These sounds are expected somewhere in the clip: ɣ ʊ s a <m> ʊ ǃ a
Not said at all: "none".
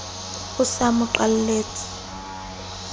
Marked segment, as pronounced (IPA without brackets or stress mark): m